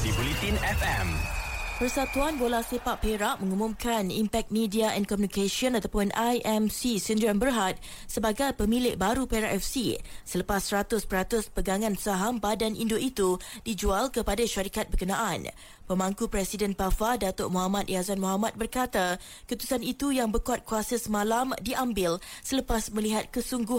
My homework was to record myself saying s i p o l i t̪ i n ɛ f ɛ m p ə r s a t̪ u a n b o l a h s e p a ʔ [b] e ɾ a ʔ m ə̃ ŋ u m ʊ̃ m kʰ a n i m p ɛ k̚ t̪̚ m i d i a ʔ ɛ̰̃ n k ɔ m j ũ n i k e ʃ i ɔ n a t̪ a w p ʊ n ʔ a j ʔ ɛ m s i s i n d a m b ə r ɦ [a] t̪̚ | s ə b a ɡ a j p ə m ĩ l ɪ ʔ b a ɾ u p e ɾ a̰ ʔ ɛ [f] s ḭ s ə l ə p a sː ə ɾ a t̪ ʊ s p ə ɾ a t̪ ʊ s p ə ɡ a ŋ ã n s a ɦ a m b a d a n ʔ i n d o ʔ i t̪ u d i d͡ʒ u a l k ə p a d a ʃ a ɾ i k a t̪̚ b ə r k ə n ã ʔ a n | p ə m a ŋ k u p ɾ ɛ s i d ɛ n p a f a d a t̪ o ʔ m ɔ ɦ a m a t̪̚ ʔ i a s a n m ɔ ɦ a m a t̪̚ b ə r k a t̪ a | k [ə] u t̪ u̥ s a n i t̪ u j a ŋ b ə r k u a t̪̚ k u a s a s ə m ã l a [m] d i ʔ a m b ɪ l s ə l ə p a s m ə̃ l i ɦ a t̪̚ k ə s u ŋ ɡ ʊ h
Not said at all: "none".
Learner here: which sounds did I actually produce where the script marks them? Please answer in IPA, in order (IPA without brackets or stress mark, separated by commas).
p, a, f, ə, m